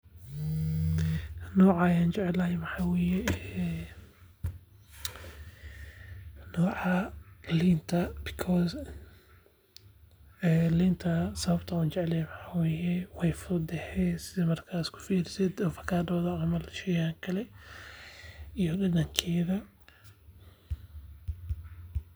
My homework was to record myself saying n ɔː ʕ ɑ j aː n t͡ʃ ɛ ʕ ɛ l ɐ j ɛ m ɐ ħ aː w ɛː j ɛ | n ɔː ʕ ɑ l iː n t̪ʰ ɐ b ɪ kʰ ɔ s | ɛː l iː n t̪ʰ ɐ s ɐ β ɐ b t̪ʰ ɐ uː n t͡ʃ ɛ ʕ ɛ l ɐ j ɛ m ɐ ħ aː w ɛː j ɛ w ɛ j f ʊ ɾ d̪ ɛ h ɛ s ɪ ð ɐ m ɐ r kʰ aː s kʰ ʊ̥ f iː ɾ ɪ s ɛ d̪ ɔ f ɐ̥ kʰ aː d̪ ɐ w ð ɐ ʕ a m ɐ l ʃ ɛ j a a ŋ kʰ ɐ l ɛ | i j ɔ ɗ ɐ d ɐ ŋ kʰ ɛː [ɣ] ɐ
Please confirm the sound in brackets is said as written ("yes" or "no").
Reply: no